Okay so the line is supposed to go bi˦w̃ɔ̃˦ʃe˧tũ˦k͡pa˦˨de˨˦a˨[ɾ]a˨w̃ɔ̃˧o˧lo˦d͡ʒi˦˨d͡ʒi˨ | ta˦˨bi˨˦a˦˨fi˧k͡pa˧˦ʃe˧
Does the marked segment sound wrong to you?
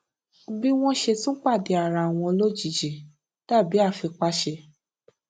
no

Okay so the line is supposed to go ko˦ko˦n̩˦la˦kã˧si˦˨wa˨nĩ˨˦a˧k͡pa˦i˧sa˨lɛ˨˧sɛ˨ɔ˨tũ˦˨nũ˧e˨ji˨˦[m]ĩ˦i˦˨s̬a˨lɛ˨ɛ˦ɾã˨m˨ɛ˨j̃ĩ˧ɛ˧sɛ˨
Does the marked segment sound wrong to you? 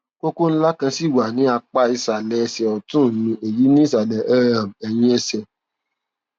yes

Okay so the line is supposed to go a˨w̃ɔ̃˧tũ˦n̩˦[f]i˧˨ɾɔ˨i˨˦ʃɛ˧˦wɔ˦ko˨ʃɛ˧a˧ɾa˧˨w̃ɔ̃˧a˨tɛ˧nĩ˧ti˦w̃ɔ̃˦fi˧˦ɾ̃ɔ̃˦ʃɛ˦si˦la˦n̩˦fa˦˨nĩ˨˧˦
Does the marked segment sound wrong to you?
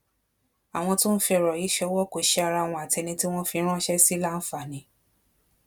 no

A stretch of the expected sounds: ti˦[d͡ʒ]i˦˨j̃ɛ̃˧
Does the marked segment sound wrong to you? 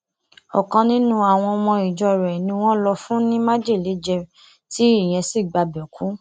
yes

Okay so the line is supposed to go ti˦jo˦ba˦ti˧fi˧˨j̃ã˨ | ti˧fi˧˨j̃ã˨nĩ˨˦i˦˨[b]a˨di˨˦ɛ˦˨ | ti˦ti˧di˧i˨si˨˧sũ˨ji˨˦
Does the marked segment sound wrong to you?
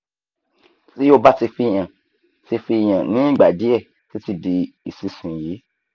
yes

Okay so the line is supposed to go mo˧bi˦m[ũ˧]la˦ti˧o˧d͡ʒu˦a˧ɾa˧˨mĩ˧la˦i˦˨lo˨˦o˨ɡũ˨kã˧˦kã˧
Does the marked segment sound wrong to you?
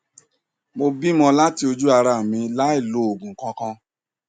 yes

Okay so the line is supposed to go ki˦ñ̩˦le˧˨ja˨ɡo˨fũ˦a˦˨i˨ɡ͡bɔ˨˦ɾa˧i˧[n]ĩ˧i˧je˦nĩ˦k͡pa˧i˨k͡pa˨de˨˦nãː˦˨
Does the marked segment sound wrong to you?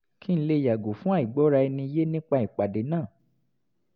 no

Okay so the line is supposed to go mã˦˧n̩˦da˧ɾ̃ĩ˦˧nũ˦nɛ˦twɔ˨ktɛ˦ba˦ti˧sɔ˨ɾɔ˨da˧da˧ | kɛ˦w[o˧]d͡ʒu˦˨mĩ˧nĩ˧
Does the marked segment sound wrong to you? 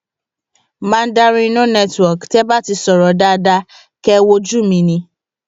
no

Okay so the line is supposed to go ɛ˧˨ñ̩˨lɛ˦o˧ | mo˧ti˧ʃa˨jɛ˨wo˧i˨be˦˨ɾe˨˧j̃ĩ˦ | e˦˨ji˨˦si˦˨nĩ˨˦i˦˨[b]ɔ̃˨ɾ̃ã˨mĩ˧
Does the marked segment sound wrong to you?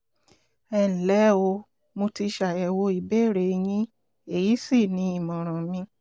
yes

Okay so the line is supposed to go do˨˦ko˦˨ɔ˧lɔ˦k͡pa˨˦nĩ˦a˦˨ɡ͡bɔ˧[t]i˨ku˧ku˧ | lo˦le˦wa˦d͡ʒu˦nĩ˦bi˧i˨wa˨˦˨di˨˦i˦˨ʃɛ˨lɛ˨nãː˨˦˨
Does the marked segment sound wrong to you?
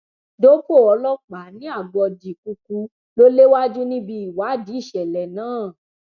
yes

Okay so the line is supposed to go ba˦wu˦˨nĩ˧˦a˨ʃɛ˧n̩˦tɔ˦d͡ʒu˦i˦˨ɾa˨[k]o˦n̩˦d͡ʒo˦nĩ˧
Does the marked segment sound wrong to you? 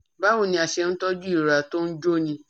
yes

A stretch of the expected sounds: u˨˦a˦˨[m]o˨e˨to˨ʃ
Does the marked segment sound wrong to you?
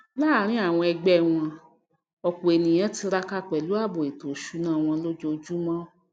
yes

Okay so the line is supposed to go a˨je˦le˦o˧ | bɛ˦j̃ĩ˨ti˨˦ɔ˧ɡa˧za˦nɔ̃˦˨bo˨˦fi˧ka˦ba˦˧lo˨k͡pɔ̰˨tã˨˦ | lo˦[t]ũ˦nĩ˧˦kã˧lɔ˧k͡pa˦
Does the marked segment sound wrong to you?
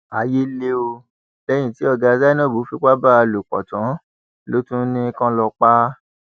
no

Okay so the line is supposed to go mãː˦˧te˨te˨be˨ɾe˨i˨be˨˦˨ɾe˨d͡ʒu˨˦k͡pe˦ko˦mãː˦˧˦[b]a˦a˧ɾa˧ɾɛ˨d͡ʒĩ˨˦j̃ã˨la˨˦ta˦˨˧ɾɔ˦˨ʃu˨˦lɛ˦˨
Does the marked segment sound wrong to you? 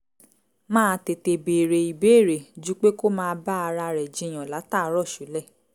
no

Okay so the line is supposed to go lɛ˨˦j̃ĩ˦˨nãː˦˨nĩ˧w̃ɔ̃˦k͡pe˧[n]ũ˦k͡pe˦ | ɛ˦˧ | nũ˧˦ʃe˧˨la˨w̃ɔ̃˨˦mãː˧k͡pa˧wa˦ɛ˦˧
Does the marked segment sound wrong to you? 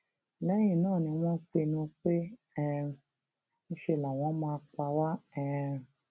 no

